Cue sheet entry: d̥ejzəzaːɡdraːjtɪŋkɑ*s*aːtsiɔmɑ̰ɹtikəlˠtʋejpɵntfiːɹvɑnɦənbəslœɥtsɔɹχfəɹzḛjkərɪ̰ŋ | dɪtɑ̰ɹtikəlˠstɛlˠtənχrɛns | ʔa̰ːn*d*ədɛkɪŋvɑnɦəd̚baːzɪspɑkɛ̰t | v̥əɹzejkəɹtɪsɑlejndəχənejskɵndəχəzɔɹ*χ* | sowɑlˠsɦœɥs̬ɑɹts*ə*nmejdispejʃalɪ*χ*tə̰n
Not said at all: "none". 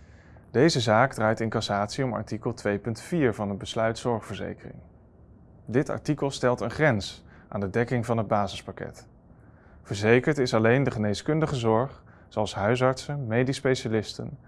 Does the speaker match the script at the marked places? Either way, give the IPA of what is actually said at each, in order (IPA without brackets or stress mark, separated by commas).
s, d, χ, ə, s